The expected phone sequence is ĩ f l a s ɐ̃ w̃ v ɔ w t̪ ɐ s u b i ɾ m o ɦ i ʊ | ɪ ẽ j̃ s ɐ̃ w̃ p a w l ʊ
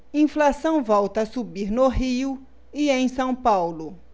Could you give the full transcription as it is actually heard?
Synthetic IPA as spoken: ĩ f l a s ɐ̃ w̃ v ɔ w t̪ ɐ s u b i ɾ n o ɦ i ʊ | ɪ ẽ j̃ s ɐ̃ w̃ p a w l ʊ